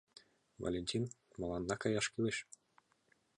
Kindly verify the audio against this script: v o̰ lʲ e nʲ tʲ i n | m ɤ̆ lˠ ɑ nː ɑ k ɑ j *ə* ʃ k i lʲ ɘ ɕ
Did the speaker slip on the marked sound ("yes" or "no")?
yes